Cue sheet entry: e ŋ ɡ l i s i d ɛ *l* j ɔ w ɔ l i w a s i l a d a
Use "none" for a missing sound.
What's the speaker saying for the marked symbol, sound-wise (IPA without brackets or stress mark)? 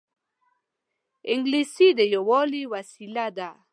none